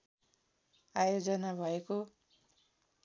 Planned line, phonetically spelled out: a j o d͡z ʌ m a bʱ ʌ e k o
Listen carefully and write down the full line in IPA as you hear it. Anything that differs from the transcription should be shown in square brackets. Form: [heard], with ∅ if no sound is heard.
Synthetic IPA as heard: a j o d͡z ʌ [n] a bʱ ʌ e k o